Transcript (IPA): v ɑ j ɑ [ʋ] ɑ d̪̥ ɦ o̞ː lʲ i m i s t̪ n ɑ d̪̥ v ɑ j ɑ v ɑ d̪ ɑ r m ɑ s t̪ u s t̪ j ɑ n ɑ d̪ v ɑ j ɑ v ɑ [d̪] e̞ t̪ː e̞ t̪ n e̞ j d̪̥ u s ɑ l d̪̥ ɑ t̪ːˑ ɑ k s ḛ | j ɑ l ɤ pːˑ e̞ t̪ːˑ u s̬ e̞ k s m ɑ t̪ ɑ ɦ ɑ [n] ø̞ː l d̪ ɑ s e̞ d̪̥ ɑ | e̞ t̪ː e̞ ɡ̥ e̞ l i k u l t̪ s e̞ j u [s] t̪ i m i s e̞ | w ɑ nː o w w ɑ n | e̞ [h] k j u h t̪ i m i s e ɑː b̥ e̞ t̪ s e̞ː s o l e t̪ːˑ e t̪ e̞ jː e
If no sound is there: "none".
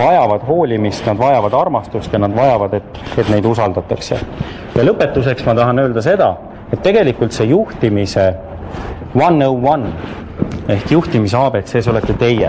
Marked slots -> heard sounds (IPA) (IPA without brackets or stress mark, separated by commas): v, d̪, n, h, h